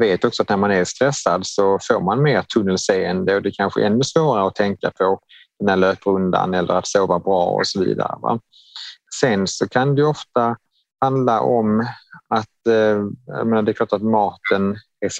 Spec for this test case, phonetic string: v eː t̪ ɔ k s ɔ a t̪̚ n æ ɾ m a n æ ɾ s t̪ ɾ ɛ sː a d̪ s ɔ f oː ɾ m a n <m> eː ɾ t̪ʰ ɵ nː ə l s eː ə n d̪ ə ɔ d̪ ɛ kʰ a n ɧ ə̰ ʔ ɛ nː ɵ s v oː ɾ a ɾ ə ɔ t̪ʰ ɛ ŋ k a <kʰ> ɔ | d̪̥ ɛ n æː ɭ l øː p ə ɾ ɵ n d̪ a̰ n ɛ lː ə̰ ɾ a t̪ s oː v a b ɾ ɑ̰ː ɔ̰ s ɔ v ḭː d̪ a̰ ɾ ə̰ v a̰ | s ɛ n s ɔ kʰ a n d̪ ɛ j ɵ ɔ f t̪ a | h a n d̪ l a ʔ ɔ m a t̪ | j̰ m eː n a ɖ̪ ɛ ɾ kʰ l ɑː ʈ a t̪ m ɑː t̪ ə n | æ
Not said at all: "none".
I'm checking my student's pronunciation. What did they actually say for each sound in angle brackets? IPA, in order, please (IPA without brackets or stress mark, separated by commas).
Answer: m, pʰ